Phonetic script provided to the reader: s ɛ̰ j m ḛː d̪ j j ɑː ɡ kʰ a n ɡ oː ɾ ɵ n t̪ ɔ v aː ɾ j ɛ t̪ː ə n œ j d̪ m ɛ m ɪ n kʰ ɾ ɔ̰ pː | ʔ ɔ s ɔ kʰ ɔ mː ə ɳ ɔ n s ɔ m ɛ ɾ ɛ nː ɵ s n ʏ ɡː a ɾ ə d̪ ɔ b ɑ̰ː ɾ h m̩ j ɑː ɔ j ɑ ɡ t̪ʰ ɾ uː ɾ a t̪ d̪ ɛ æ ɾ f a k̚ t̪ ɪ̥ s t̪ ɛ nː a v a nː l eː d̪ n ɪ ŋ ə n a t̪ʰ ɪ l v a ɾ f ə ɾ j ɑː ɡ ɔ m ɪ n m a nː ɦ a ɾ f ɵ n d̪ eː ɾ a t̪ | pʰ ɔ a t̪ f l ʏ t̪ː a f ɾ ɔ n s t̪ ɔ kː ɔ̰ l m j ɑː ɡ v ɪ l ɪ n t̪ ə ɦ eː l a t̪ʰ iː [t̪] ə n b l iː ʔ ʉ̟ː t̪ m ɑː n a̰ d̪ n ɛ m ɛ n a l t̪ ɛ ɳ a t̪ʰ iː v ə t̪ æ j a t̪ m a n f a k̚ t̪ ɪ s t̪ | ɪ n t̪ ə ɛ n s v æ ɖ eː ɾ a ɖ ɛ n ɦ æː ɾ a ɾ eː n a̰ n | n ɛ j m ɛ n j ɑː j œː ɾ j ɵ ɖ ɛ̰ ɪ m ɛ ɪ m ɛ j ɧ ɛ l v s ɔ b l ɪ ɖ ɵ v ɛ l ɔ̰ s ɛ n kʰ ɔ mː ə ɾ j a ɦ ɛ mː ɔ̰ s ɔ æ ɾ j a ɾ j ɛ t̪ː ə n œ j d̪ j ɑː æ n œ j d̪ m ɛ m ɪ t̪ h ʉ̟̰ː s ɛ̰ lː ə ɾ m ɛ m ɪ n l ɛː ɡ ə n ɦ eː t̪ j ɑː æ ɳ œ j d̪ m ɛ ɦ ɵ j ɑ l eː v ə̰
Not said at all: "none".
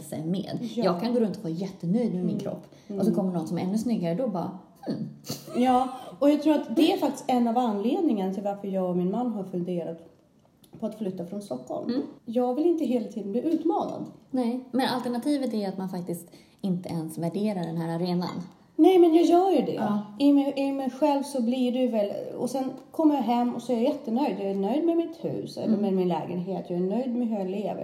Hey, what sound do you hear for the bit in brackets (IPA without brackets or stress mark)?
d̪